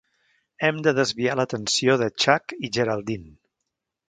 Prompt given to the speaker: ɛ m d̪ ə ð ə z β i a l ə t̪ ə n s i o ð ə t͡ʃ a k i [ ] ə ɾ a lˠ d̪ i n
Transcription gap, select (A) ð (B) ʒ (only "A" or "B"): B